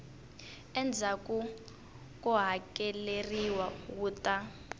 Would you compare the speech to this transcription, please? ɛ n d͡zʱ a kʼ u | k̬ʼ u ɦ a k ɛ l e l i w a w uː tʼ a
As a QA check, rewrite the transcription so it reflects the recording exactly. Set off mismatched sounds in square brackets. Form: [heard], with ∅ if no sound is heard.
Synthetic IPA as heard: ɛ n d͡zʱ a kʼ u | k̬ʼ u ɦ a k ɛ l e [r] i w a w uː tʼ a